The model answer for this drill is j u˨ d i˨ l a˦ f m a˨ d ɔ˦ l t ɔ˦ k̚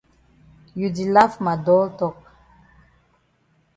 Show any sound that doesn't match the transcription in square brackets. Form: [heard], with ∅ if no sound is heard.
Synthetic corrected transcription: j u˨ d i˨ l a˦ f m a˨ d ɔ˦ l t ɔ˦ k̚

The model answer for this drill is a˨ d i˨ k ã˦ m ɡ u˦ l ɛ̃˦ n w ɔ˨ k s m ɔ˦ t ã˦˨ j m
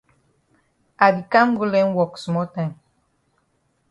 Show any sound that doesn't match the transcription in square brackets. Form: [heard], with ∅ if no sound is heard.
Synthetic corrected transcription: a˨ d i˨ k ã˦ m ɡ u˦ l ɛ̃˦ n w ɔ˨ k s m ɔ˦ t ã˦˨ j m

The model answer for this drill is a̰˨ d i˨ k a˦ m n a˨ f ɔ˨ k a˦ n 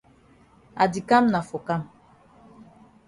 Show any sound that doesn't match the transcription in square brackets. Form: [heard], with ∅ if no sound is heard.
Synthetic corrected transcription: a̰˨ d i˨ k a˦ m n a˨ f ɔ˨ k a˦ [m]

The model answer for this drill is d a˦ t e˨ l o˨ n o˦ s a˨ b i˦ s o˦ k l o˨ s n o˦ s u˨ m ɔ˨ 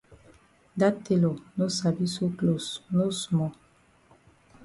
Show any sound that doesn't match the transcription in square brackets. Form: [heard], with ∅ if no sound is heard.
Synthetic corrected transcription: d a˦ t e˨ l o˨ n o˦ s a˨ b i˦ s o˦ k l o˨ s n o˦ s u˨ m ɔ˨

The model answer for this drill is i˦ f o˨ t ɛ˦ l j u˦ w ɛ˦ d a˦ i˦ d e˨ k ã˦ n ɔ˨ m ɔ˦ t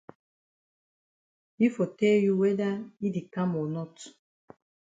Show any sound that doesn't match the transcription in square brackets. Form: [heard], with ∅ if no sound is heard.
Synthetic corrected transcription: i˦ f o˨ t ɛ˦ l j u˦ w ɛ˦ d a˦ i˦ d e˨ k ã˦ [m] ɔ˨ [n] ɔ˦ t

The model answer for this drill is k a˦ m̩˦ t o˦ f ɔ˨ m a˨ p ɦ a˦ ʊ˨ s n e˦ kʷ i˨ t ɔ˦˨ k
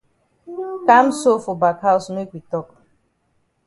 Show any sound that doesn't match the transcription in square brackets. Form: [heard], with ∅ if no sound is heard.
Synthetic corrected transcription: k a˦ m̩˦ [s] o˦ f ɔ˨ [b] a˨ [k] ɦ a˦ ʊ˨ s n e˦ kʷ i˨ t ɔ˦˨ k

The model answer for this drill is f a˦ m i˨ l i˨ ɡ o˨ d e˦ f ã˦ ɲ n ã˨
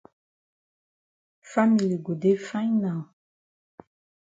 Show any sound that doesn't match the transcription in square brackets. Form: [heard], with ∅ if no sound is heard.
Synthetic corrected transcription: f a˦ m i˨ l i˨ ɡ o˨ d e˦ f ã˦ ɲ n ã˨

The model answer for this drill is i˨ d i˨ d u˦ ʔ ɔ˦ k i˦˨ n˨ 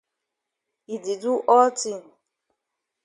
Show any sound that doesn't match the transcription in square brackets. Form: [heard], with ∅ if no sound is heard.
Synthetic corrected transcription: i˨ d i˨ d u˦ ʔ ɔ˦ [t] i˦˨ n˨

